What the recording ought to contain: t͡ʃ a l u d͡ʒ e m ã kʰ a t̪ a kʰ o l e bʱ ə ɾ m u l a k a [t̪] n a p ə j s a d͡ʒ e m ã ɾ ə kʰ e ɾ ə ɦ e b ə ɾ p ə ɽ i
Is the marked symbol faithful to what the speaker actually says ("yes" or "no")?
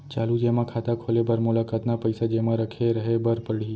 yes